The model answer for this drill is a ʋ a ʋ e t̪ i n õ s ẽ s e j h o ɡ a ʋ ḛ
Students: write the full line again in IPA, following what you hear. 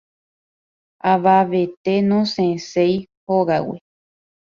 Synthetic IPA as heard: a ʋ a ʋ e t̪ e n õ s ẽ s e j h o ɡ a w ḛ